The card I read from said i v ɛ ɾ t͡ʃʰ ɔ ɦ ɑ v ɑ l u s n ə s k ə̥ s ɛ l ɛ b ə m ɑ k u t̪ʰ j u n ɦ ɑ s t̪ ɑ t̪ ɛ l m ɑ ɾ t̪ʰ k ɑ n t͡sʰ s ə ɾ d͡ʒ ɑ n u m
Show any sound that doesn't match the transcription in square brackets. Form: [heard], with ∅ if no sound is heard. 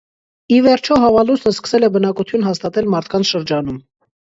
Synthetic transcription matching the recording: i v ɛ ɾ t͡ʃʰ ɔ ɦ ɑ v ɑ l u s n ə s k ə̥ s ɛ l ɛ b ə [n] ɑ k u t̪ʰ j u n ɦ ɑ s t̪ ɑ t̪ ɛ l m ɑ ɾ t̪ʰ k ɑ n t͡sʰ [ʃ] ə ɾ d͡ʒ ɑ n u m